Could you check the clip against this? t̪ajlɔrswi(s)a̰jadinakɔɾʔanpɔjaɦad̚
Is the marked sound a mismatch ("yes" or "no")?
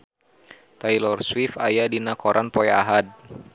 yes